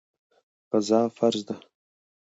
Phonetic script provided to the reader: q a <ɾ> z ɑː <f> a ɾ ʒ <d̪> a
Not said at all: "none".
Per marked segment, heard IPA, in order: none, f, d̪

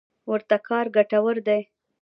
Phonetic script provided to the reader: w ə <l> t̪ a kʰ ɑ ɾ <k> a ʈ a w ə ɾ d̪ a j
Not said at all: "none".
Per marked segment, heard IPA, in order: ɾ, ɡ

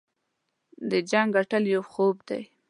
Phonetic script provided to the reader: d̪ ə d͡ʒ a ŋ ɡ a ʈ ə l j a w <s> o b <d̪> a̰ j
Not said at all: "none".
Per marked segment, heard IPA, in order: x, d̪

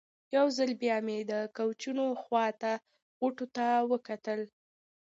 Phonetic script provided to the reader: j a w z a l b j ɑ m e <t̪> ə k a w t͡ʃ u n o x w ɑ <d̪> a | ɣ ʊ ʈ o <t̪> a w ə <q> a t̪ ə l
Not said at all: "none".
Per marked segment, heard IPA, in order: d̪, t̪, t̪, k

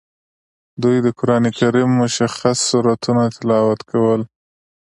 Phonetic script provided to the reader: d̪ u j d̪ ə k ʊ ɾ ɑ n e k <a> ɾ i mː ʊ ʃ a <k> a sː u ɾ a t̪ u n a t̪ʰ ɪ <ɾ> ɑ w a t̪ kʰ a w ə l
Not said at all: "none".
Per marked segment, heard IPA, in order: a, x, l

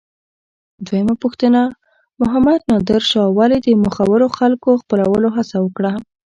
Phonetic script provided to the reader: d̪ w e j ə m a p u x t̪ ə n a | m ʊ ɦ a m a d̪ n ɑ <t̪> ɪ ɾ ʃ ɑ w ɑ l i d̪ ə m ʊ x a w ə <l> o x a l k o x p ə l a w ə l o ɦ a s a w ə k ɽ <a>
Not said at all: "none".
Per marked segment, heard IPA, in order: d̪, ɾ, a

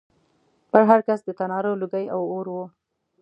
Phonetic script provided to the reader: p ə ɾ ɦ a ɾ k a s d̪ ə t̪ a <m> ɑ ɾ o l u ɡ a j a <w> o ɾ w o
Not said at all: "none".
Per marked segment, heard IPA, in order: n, w

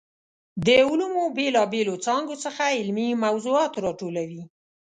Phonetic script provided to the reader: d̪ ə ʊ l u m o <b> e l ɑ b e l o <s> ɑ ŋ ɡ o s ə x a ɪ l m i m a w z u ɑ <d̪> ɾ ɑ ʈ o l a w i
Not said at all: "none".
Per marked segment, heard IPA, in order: b, t͡s, t̪

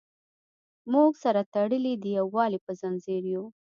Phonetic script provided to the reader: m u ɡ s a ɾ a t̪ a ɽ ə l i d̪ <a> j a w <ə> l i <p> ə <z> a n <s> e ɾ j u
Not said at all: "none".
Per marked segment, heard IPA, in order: ə, ɑ, p, z, z

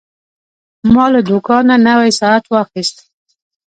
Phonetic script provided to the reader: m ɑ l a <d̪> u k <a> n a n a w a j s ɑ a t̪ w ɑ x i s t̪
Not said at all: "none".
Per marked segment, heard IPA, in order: d̪, ɑ

